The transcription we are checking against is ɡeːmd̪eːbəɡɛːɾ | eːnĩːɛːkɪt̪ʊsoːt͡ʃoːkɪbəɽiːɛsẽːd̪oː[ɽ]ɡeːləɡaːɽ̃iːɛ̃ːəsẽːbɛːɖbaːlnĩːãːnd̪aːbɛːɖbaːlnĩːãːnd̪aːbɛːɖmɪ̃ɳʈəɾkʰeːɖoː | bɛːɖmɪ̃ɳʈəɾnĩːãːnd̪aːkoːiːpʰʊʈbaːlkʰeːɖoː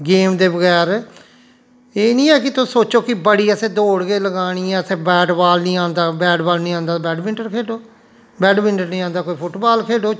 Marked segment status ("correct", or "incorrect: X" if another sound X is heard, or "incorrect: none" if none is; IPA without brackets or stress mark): correct